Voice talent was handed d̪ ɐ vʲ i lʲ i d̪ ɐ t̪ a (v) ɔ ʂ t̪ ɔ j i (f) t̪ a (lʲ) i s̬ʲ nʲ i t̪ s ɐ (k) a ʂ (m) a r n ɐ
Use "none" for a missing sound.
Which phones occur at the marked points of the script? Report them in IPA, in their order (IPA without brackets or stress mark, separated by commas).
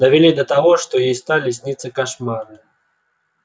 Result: ɣ, s, lʲ, k, m